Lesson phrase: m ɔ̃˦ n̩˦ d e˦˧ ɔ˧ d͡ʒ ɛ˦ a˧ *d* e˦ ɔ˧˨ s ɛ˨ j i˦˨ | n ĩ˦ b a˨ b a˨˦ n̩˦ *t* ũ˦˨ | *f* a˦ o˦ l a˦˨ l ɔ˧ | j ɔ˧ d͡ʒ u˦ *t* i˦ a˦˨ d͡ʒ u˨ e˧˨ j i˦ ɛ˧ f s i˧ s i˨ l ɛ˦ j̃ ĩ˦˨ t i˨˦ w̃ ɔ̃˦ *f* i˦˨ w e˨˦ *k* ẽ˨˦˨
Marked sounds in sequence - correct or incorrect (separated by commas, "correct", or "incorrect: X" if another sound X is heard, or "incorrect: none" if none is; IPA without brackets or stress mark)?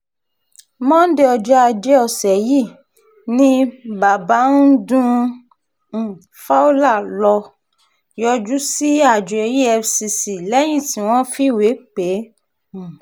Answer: incorrect: d͡ʒ, incorrect: d, correct, incorrect: s, correct, incorrect: k͡p